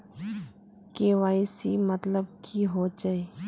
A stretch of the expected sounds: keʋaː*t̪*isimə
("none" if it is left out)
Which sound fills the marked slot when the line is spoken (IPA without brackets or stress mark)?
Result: none